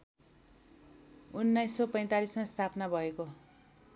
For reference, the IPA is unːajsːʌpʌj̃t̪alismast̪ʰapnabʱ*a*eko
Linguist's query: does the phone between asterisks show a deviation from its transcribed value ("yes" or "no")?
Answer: yes